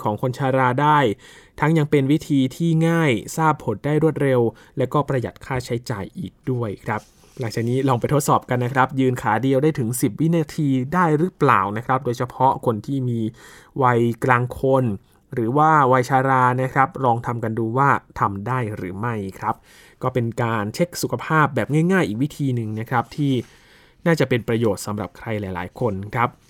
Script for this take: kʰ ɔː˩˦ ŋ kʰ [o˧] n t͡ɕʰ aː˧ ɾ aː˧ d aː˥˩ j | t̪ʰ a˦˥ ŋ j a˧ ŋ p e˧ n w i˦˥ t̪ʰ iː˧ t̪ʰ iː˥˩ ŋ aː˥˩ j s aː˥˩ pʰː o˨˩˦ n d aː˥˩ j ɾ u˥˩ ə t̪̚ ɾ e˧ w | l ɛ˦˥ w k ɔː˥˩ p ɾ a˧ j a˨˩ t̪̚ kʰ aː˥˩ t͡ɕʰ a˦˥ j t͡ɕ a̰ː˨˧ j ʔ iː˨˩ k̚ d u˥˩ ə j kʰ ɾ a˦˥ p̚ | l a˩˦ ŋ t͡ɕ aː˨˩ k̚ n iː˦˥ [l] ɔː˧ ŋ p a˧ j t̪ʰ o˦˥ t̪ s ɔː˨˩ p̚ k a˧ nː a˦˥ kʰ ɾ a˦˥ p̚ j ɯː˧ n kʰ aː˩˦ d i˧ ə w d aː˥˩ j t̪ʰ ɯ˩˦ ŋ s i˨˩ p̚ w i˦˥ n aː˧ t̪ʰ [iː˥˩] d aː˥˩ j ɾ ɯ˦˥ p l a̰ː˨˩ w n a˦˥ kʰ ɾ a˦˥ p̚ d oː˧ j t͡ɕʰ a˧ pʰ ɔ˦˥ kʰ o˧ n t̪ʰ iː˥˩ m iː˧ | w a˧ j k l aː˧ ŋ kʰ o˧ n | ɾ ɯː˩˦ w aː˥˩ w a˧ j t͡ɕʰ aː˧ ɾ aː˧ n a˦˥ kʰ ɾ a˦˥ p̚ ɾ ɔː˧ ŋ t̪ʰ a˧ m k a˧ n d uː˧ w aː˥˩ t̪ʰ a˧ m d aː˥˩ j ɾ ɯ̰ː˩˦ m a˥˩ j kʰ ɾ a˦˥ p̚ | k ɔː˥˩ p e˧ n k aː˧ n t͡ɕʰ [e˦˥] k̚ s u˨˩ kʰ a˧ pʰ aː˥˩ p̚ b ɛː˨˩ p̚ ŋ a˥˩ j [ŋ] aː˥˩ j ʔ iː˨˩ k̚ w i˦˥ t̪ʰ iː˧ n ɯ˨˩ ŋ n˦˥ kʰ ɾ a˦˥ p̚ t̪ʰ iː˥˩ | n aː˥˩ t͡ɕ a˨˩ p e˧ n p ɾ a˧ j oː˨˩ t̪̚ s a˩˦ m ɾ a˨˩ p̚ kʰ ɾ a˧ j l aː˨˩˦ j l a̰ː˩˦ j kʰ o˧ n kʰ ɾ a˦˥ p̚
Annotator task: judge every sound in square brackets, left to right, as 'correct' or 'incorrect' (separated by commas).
correct, correct, incorrect, correct, correct